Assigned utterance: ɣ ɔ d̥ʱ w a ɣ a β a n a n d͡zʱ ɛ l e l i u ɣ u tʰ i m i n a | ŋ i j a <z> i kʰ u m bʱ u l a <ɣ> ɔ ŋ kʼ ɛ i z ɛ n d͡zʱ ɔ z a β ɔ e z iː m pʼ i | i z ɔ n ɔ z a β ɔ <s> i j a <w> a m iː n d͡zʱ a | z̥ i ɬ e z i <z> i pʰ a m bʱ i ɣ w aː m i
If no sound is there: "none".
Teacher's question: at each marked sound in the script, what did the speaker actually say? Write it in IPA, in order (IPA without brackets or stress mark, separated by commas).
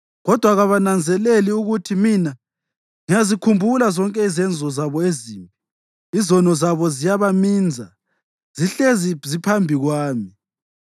z, z, z, β, z